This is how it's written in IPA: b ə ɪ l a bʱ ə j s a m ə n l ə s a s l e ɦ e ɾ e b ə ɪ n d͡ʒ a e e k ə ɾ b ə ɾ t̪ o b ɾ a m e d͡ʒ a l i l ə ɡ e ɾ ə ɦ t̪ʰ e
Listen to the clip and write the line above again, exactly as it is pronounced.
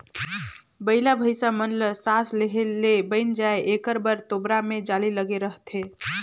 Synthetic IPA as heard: b ə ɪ l a bʱ ə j s a m ə n l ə s a s l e ɦ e l e b ə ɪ n d͡ʒ a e e k ə ɾ b ə ɾ t̪ o b ɾ a m e d͡ʒ a l i l ə ɡ e ɾ ə ɦ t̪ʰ e